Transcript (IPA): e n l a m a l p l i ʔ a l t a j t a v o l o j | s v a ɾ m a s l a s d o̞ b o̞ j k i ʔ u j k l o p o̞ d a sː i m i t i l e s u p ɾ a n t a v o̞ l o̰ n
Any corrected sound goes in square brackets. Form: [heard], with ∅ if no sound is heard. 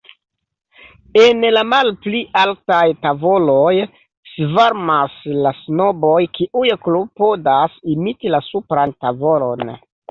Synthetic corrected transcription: e n l a m a l p l i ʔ a l t a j t a v o l o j | s v a ɾ m a s l a s [n] o̞ b o̞ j k i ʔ u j k l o p o̞ d a [s] i m i t i l [a] s u p ɾ a n t a v o̞ l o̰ n